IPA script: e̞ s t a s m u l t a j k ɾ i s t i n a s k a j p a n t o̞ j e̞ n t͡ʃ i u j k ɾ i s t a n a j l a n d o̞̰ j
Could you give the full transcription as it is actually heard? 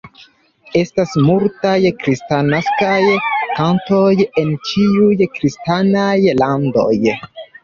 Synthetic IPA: e̞ s t a s m u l t a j k ɾ i s t a n a s k a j k a n t o̞ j e̞ n t͡ʃ i u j k ɾ i s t a n a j l a n d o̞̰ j